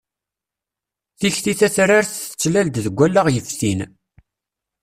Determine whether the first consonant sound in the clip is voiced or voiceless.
voiceless